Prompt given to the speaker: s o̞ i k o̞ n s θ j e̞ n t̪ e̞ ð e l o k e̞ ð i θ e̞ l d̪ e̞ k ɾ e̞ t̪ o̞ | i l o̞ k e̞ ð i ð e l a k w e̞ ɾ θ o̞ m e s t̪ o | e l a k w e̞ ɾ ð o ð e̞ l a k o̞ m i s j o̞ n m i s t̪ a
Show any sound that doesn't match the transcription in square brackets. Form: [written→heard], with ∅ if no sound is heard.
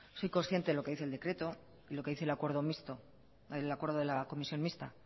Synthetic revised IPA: s o̞ [i→j] k o̞ n s θ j e̞ n t̪ e̞ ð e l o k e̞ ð i θ e̞ l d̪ e̞ k ɾ e̞ t̪ o̞ | i l o̞ k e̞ ð i [ð→θ] e l a k w e̞ ɾ [θ→ð] o̞ m [e→i] s t̪ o | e l a k w e̞ ɾ ð o ð e̞ l a k o̞ m i s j o̞ n m i s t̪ a